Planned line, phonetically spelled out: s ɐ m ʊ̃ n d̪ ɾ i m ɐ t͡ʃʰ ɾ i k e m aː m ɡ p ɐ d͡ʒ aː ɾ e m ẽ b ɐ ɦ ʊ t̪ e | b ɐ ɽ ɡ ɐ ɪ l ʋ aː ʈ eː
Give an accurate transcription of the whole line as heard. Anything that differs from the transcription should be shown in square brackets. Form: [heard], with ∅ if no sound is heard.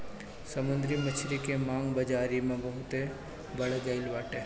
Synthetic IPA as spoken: s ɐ m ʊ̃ n d̪ ɾ i m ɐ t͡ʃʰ ɾ i k e m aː [ŋ] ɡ [b] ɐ d͡ʒ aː ɾ [i] m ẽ b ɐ ɦ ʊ t̪ e | b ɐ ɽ ɡ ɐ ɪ l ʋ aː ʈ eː